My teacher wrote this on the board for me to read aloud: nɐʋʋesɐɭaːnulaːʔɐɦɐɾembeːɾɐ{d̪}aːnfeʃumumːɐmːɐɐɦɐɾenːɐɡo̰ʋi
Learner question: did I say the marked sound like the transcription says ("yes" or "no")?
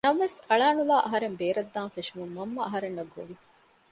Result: no